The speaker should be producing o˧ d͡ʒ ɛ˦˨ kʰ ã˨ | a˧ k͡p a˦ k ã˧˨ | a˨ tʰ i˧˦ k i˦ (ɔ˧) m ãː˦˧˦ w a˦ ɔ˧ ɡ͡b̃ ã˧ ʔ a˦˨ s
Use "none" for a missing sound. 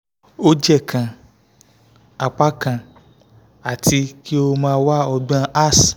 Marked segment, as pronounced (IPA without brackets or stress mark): o˧